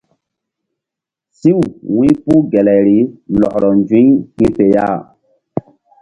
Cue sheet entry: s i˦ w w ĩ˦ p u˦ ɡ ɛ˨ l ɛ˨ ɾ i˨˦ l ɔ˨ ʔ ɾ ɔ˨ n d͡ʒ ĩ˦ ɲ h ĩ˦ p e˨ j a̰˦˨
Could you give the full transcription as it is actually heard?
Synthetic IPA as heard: s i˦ w w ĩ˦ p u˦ ɡ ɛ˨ l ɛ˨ ɾ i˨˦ l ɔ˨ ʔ ɾ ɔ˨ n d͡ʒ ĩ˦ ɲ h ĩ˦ p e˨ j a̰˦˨

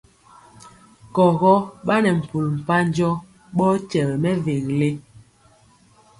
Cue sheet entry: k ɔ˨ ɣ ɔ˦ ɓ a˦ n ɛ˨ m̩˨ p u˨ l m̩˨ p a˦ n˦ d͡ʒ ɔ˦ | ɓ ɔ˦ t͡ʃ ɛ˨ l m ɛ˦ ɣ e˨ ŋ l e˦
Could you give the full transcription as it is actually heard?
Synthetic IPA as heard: k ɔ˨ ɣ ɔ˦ ɓ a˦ n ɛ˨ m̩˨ p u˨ l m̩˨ p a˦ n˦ d͡ʒ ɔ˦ | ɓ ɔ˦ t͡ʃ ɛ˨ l m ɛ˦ v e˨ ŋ l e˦

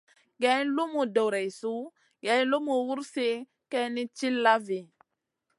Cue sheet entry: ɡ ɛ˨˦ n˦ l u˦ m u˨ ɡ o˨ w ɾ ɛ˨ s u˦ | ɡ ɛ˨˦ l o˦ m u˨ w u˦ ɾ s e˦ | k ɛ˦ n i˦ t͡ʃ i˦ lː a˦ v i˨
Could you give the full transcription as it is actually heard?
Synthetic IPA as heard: ɡ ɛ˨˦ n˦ l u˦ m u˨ d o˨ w ɾ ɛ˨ s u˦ | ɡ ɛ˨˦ l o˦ m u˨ w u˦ ɾ s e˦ | k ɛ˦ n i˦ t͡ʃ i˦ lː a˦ v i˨

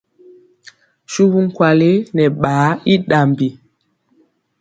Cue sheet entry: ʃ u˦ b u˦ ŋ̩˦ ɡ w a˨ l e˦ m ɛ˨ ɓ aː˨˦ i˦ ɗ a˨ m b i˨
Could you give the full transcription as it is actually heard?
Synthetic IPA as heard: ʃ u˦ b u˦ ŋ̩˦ k w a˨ l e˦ n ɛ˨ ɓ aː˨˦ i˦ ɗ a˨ m b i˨

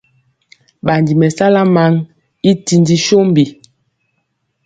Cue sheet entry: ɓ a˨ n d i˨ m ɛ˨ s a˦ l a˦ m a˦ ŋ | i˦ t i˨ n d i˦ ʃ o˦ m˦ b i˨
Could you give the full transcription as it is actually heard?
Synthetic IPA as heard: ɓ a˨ n d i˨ m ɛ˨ s a˦ l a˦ m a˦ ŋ | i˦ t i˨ n d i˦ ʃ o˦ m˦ b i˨

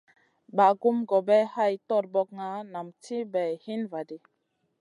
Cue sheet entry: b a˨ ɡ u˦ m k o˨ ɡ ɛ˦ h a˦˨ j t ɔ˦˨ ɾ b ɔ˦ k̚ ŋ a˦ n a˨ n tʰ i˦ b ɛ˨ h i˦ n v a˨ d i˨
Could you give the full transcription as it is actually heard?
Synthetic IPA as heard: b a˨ ɡ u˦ m ɡ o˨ b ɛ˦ h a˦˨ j t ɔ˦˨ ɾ b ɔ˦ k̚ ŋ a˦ n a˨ m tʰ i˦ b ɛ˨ h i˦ n v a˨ d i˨

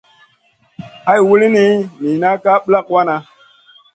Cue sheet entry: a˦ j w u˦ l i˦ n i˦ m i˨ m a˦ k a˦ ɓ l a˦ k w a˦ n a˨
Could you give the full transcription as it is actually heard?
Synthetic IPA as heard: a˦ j w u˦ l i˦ n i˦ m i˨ n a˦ k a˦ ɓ l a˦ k w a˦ n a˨

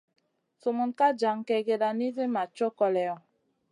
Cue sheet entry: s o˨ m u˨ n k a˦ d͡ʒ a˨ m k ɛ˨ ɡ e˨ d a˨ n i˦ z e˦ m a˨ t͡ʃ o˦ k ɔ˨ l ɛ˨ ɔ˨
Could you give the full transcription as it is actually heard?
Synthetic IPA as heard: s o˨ m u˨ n k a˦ d͡ʒ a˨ ŋ k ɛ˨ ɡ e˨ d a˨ n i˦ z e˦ m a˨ t͡ʃ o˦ k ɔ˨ l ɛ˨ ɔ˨

